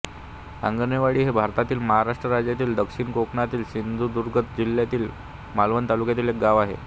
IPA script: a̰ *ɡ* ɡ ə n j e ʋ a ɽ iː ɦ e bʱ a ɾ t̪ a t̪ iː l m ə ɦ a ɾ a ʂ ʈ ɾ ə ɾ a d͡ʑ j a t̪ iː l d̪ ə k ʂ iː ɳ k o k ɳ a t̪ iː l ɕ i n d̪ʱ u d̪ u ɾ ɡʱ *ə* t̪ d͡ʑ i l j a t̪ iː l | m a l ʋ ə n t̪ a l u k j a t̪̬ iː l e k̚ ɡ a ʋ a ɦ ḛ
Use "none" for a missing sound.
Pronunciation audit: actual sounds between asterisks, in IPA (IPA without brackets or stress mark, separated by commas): ŋ, ə